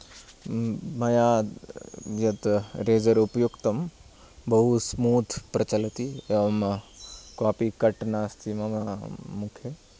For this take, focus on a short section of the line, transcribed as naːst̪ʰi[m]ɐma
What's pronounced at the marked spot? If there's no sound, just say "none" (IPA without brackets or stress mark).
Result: m